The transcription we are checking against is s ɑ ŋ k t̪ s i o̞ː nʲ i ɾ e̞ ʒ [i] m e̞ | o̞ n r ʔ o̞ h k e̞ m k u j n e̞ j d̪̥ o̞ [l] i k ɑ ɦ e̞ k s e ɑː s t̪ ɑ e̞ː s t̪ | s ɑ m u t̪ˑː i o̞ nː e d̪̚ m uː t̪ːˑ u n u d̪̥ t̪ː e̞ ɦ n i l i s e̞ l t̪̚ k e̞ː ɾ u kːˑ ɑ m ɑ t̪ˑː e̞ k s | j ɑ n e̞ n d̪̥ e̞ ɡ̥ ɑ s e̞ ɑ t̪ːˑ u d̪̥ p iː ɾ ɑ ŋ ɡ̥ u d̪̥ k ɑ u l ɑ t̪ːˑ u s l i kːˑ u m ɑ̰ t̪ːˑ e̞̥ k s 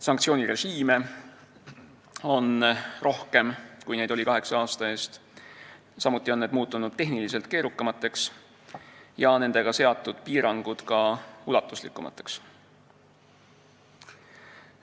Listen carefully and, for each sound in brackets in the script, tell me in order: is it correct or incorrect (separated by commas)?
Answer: incorrect, correct